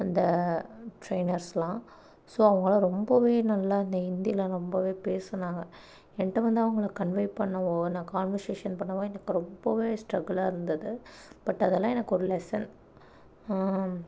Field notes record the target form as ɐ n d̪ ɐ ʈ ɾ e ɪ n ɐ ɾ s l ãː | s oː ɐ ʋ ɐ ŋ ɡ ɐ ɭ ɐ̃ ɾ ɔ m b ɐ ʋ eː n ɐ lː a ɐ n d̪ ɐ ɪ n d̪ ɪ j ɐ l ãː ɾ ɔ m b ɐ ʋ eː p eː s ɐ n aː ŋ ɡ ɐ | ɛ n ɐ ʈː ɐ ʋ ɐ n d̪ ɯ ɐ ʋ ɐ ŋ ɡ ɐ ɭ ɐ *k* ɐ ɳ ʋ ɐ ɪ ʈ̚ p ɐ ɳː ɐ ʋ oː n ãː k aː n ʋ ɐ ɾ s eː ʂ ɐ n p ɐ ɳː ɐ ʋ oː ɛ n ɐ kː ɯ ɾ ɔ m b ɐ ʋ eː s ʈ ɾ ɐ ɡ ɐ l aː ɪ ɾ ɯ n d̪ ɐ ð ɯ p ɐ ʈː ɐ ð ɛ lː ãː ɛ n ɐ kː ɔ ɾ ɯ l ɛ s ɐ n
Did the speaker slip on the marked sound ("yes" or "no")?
no